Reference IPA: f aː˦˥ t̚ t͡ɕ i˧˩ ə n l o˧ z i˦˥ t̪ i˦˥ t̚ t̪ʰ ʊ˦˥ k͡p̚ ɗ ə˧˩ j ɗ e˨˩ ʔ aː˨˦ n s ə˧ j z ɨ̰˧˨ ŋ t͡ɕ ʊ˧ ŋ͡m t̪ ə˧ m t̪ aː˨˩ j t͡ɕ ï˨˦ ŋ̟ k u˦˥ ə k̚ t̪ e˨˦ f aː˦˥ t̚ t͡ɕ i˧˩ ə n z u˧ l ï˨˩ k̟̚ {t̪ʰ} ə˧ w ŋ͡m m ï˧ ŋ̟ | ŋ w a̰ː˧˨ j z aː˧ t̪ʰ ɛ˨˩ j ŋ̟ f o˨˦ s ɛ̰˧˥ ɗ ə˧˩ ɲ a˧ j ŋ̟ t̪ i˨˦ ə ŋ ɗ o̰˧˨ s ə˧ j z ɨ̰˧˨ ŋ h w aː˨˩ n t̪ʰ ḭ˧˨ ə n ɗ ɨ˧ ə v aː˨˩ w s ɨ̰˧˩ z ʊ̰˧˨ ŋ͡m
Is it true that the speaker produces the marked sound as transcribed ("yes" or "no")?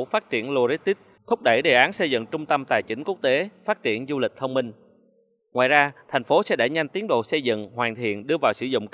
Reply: yes